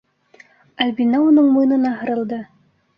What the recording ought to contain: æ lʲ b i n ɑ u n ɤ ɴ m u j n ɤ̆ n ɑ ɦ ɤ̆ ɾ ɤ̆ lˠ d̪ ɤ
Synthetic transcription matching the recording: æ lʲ b i n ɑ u n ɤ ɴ m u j n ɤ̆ n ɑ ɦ ɤ̆ ɾ ɤ̆ lˠ d̪ ɤ